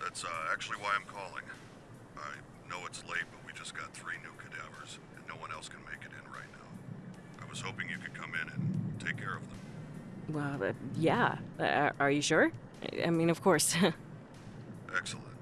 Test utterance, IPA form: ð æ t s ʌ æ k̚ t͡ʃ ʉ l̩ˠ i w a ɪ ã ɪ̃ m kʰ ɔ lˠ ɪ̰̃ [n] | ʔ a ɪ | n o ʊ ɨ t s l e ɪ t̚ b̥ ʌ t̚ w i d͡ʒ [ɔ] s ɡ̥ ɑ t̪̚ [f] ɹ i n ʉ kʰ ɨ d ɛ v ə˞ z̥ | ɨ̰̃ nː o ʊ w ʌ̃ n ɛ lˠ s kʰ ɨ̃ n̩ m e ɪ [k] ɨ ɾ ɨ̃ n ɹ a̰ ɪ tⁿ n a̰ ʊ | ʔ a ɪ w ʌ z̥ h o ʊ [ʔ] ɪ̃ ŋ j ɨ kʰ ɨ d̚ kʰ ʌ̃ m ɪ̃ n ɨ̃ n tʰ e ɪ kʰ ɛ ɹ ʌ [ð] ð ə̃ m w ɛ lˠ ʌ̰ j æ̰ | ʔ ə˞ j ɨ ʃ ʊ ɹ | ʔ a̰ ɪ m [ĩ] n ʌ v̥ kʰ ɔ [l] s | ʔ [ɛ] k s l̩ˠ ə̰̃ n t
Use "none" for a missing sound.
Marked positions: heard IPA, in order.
ŋ, ʌ, θ, k, p, v, ĩ, ɹ, ɛ

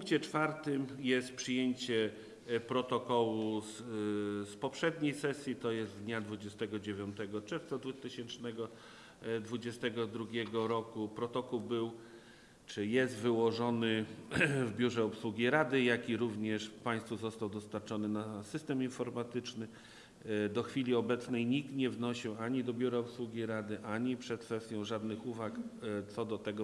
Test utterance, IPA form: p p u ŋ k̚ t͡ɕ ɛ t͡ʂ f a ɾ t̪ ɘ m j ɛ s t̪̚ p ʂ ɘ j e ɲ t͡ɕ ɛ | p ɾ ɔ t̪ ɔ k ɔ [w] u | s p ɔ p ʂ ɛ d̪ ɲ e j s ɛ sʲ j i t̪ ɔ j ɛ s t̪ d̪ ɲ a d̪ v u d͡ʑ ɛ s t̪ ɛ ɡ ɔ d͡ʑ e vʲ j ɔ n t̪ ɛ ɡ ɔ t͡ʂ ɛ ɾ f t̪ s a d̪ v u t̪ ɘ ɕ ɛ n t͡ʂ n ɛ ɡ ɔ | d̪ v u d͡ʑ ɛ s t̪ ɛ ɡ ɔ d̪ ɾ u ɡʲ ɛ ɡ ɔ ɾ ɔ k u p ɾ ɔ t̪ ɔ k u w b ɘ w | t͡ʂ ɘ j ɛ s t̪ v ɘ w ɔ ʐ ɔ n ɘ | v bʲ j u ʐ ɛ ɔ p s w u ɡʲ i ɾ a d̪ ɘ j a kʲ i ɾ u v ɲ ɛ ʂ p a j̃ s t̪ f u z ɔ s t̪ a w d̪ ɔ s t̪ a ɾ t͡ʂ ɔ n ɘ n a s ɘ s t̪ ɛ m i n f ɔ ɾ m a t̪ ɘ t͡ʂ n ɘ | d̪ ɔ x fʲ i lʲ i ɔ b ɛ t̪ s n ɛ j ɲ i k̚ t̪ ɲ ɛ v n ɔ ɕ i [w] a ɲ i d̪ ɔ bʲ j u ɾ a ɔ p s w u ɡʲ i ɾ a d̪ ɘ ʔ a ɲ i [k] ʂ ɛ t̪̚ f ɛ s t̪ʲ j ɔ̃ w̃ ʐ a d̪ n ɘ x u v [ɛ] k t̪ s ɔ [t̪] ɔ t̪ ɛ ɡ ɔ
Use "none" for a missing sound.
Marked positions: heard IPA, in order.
w, w, p, a, d̪

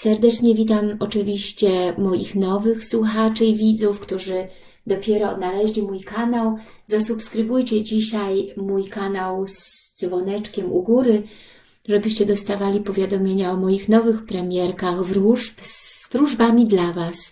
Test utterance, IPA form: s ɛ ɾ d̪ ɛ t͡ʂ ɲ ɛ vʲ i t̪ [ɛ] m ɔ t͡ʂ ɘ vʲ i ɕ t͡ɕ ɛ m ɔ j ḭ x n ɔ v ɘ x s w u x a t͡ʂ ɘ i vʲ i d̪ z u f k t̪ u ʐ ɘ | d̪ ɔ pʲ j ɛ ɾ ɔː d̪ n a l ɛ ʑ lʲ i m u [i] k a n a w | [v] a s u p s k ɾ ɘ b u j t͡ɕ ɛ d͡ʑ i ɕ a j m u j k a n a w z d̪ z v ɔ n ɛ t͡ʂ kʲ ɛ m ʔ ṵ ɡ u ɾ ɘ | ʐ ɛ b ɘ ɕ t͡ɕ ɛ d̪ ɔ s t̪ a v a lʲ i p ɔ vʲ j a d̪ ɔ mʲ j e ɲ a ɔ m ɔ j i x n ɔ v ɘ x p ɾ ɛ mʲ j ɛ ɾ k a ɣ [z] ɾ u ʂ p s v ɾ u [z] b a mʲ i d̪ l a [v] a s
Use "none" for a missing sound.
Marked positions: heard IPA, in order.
a, j, z, v, ʐ, v

